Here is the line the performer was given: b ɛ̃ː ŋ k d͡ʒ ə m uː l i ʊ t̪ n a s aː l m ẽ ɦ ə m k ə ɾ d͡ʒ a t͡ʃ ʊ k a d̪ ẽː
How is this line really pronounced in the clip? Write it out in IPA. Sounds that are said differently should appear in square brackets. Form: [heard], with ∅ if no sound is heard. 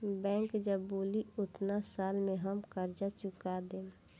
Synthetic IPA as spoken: b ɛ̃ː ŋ k d͡ʒ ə [b] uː l i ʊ t̪ n a s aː l m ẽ ɦ ə m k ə ɾ d͡ʒ a t͡ʃ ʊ k a d̪ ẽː